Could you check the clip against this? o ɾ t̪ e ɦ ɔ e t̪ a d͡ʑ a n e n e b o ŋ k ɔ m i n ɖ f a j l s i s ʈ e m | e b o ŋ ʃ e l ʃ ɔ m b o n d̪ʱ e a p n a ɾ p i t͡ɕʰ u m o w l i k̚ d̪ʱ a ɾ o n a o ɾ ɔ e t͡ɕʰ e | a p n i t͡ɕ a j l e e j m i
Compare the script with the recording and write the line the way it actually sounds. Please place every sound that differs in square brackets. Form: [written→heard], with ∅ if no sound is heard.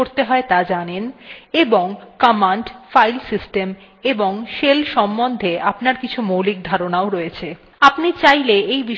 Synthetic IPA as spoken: o ɾ t̪ e ɦ ɔ e t̪ a d͡ʑ a n e n e b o ŋ k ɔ m [i→a] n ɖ f a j l s i s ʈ e m | e b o ŋ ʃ e l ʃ ɔ m b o n d̪ʱ e a p n a ɾ [p→k] i t͡ɕʰ u m o w l i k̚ d̪ʱ a ɾ o n a o ɾ ɔ e t͡ɕʰ e | a p n i t͡ɕ a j l e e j [m→b] i